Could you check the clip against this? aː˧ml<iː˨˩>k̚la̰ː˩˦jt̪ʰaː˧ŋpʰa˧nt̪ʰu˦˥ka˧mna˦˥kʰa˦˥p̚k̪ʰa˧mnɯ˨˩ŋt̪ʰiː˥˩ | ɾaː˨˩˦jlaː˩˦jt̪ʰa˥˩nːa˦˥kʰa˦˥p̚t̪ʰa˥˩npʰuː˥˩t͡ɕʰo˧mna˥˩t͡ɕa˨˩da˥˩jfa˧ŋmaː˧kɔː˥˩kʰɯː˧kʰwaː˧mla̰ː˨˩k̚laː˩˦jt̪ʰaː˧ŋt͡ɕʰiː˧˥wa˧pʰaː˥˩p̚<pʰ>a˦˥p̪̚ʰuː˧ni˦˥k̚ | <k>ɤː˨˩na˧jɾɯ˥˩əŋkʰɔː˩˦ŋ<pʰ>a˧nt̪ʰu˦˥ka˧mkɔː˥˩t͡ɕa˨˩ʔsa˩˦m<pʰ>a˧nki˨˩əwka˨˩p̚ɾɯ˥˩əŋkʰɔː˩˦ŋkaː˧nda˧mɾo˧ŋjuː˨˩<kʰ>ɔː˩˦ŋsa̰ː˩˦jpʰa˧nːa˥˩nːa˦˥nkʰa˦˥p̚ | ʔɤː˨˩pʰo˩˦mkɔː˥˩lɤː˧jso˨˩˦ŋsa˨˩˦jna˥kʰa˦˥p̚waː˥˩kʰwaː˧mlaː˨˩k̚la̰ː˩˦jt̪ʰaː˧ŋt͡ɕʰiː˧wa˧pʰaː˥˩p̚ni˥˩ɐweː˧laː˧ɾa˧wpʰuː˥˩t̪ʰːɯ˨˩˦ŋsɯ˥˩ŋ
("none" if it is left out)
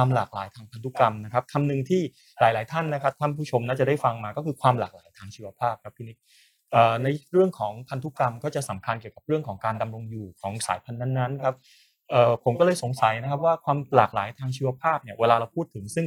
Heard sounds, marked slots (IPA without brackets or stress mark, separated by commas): aː˨˩, kʰ, ʔ, pʰ, kʰ, kʰ